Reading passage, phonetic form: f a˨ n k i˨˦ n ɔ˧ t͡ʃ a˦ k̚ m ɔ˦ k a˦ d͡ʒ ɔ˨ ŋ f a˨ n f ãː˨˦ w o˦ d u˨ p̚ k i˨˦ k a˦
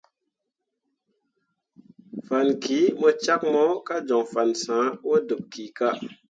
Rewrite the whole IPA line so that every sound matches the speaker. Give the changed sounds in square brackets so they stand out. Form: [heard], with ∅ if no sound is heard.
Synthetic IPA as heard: f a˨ n k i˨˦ [m] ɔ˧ t͡ʃ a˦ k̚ m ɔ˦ k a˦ d͡ʒ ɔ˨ ŋ f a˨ n [s] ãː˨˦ w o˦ d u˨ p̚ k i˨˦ k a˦